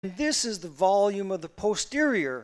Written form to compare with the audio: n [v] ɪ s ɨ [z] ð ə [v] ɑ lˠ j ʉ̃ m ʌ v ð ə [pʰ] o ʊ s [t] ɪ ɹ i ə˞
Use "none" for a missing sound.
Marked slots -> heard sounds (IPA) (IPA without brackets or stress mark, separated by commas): ð, z, v, pʰ, t